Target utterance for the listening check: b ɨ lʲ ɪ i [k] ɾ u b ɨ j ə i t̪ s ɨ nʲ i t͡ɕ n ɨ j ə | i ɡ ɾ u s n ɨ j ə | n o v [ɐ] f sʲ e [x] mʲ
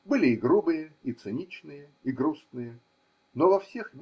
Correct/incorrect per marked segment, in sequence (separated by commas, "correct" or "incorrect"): incorrect, correct, correct